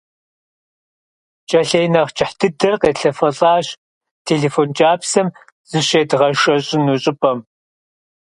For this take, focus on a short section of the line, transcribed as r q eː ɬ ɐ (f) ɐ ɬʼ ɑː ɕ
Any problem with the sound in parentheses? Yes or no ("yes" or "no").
no